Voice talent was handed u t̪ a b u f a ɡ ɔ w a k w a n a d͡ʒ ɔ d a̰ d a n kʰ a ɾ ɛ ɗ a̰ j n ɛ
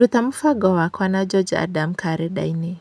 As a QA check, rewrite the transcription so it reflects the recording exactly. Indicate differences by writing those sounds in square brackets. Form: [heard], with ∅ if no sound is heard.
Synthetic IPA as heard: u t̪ a [m] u f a ɡ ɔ w a k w a n a d͡ʒ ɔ [d͡ʒ] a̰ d a [m] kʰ a ɾ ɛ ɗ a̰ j n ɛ